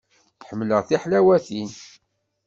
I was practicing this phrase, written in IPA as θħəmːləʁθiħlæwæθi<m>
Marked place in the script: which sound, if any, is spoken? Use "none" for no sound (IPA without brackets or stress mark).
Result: n